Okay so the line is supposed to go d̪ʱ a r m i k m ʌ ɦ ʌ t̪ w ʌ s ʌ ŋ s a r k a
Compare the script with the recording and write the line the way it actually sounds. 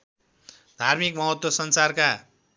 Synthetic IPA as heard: d̪ʱ a r m i k m ʌ ɦ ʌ t̪ w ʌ s ʌ n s a r k a

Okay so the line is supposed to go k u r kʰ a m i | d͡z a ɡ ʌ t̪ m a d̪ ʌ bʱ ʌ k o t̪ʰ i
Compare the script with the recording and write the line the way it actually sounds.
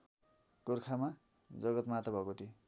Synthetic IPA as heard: k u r kʰ a m a | d͡z ʌ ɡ ʌ t̪ m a t̪ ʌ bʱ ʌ k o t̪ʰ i

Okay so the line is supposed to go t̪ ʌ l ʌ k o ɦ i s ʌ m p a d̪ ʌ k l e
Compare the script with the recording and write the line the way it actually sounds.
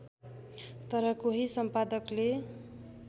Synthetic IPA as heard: t̪ ʌ ɾ ʌ k o ɦ i s ʌ m p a d̪ ʌ k l e

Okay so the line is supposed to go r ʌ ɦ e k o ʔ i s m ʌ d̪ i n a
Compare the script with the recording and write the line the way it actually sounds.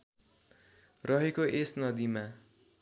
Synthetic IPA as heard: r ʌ ɦ e k o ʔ e s n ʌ d̪ i m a

